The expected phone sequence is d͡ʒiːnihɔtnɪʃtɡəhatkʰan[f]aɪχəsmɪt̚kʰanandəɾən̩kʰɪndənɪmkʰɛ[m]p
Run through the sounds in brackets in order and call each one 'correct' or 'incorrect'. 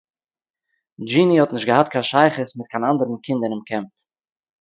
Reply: incorrect: ʃ, correct

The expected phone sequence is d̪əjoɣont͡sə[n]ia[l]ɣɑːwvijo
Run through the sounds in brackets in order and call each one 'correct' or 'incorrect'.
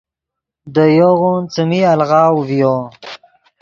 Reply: incorrect: m, correct

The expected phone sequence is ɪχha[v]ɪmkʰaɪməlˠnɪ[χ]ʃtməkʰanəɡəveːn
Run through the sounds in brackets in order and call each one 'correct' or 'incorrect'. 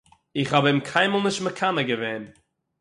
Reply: incorrect: b, incorrect: none

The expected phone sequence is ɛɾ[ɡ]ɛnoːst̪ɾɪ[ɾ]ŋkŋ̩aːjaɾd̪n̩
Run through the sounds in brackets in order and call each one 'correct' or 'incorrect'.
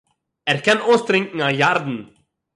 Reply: incorrect: k, incorrect: none

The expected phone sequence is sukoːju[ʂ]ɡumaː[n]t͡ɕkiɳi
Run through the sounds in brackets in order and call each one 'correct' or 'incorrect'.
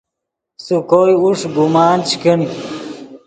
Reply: correct, correct

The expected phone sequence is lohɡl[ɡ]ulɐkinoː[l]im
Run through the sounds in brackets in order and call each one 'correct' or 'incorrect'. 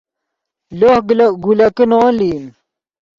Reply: correct, correct

